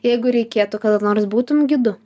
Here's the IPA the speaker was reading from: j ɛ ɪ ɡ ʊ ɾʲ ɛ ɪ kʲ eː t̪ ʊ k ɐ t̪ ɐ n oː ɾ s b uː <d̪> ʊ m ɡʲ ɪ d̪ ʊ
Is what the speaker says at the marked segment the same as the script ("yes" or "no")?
no